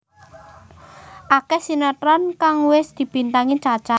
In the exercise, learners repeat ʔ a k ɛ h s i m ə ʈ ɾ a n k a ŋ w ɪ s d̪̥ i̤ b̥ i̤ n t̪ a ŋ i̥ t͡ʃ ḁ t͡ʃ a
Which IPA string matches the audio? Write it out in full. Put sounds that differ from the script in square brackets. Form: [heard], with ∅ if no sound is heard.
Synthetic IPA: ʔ a k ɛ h s i [n] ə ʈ ɾ a n k a ŋ w ɪ s d̪̥ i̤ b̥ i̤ n t̪ a ŋ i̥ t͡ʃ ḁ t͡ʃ a